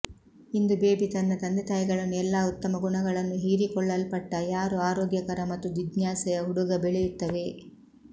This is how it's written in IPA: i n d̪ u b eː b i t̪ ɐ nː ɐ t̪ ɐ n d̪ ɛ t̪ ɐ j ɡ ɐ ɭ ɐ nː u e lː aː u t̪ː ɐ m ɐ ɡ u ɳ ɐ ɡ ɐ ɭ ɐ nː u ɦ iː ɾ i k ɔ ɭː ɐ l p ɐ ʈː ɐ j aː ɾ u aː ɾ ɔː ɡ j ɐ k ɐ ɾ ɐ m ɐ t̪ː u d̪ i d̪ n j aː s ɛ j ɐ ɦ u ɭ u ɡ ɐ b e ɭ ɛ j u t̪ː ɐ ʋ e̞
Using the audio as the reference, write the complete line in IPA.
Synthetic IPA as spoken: i n d̪ u b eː b i t̪ ɐ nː ɐ t̪ ɐ n d̪ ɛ t̪ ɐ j ɡ ɐ ɭ ɐ nː u ɛ lː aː u t̪ː ɐ m ɐ ɡ u ɳ ɐ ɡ ɐ ɭ ɐ nː u ɦ iː ɾ i k ɔ ɭː ɐ l p ɐ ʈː ɐ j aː ɾ u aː ɾ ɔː ɡ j ɐ k ɐ ɾ ɐ m ɐ t̪ː u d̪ i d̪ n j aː s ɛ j ɐ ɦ u ɽ u ɡ ɐ b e ɭ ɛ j u t̪ː ɐ ʋ e̞